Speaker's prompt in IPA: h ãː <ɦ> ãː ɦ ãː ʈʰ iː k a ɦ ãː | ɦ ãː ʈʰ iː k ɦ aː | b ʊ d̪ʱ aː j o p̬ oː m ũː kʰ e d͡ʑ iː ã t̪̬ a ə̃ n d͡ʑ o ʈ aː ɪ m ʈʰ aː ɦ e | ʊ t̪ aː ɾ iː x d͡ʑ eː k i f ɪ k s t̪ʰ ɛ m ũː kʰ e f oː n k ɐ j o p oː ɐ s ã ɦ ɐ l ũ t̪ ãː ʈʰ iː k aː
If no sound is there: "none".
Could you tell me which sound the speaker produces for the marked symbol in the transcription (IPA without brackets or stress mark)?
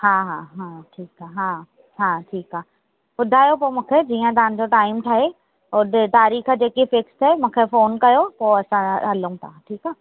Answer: ɦ